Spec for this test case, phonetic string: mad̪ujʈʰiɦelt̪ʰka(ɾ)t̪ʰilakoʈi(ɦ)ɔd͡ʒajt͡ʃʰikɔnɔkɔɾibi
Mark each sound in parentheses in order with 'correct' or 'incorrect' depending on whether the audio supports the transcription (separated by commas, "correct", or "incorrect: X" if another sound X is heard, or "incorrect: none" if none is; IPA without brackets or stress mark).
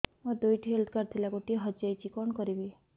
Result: correct, correct